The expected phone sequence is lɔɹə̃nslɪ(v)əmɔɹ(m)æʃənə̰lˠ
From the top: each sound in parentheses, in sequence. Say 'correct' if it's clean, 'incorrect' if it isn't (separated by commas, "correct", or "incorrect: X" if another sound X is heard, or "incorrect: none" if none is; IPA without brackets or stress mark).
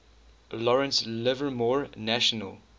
correct, incorrect: n